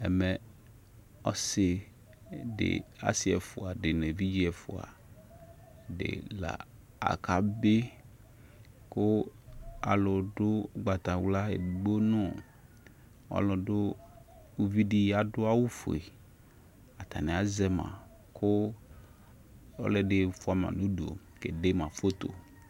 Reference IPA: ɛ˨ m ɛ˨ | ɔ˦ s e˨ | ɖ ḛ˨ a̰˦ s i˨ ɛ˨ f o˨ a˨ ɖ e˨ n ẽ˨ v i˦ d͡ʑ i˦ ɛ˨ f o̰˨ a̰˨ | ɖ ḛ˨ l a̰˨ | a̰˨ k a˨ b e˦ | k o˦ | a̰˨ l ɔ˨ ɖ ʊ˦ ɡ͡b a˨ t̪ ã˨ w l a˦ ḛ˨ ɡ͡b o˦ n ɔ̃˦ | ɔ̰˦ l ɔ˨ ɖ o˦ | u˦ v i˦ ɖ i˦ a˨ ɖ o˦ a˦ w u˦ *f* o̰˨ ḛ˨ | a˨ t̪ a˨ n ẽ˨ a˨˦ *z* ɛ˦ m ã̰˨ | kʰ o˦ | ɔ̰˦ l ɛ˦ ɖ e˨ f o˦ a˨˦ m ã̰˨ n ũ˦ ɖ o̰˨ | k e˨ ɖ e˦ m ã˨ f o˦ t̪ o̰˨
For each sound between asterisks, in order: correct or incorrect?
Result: correct, correct

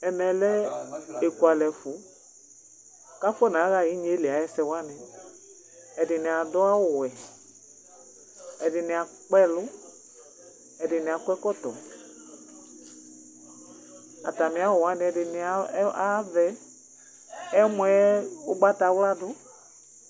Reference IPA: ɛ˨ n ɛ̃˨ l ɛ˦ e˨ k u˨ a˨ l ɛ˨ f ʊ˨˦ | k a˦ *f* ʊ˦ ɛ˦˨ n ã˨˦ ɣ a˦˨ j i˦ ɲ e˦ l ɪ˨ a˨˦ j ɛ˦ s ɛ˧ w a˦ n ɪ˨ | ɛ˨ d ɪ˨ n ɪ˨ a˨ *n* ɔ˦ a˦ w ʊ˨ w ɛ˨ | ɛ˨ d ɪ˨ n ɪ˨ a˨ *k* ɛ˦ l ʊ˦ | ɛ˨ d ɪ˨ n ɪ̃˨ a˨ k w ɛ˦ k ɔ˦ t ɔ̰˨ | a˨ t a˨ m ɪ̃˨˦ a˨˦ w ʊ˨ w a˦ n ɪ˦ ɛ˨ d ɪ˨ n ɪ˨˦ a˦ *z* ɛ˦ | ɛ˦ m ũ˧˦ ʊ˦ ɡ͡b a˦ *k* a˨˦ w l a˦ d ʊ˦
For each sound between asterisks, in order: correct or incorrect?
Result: correct, incorrect, incorrect, incorrect, incorrect

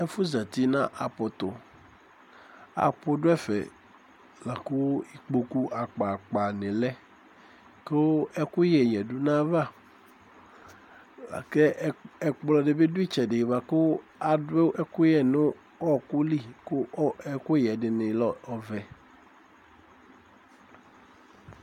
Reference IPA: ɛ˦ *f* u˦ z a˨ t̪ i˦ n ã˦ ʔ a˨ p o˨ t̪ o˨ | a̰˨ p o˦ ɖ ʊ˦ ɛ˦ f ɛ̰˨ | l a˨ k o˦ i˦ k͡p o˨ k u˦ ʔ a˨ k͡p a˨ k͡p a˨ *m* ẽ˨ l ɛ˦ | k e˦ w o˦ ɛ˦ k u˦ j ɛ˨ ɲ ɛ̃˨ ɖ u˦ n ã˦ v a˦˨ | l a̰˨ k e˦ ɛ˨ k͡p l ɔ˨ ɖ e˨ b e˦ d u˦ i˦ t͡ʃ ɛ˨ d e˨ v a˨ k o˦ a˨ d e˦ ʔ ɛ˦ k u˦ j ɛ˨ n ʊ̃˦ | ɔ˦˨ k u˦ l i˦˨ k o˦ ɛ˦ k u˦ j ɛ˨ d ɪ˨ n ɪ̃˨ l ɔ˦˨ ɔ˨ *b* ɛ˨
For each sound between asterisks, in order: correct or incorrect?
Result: correct, incorrect, incorrect

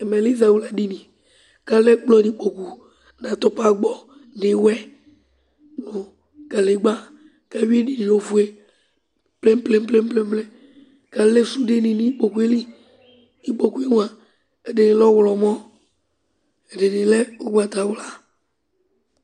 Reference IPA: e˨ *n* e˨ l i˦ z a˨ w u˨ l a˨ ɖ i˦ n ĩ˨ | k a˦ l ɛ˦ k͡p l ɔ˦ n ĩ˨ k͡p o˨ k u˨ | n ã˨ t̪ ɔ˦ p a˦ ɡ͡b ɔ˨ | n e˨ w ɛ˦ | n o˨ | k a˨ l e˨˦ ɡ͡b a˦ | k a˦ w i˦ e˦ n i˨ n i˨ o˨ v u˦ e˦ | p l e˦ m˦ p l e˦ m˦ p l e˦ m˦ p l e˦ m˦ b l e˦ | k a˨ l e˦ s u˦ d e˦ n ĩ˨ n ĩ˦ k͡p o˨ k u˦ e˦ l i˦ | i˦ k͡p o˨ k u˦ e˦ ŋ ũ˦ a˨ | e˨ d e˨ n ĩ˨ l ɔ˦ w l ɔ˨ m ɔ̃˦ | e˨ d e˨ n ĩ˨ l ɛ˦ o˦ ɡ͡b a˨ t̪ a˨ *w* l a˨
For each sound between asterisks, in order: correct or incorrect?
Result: incorrect, correct

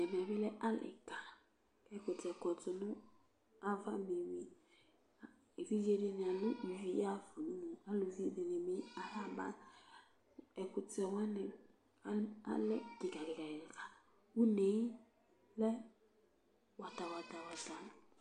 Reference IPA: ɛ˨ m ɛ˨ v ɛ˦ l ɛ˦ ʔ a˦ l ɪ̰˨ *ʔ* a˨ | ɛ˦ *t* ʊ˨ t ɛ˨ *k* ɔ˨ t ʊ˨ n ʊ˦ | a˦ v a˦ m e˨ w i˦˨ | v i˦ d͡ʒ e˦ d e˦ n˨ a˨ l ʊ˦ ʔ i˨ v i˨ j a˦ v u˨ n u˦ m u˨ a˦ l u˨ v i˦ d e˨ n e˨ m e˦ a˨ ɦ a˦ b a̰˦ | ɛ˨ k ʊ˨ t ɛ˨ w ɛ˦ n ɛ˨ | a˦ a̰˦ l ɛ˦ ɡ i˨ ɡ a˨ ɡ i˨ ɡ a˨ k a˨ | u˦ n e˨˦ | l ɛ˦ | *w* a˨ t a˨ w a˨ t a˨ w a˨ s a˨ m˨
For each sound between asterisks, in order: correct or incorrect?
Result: incorrect, incorrect, correct, correct

